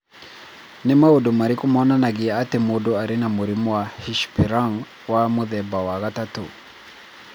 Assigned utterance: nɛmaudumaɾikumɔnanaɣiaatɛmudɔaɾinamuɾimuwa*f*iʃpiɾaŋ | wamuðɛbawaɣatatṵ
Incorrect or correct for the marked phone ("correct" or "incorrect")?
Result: incorrect